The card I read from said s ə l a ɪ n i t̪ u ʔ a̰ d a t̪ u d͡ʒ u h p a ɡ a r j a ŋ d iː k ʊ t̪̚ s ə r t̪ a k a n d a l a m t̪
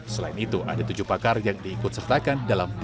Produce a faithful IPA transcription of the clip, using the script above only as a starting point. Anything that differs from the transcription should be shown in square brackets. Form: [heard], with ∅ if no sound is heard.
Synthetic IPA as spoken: s ə l a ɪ n i t̪ u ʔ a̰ d a t̪ u d͡ʒ u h p a [k] a r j a ŋ d iː k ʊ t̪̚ s ə r t̪ a k a n d a l a m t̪